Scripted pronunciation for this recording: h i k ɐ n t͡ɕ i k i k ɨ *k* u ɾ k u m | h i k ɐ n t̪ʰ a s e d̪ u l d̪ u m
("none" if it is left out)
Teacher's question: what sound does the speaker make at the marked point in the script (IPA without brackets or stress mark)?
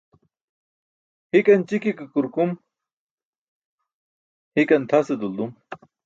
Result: k